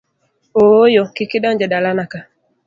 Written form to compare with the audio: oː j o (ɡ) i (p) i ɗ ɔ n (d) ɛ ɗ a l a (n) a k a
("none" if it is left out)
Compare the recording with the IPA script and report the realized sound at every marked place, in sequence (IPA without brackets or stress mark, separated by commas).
k, k, d͡ʒ, n